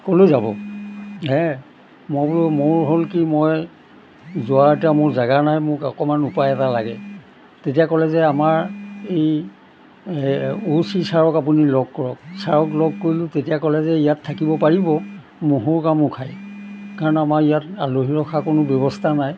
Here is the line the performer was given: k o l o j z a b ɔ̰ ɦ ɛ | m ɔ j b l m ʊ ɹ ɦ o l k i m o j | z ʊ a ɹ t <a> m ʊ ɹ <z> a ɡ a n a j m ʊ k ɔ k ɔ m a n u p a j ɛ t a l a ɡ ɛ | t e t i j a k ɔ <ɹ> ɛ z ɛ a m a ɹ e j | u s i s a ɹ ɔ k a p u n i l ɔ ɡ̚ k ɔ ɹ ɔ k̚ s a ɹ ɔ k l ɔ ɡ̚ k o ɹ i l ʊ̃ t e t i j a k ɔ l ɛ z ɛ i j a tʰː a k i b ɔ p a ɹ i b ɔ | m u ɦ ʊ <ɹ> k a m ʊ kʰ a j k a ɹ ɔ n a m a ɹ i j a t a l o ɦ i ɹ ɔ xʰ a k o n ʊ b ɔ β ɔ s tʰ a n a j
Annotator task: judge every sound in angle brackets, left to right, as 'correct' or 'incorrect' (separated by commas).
correct, correct, incorrect, correct